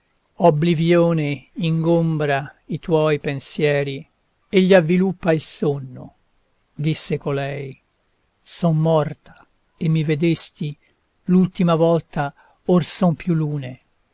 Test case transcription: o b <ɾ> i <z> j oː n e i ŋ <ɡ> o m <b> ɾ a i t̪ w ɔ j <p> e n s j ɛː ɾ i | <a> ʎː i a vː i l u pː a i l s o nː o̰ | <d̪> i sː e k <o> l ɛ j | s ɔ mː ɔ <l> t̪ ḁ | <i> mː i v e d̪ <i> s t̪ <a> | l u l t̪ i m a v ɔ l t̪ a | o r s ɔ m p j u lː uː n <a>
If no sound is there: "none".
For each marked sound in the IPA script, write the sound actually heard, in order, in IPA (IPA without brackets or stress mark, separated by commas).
l, v, ɡ, b, p, e, d̪, o, r, e, e, i, e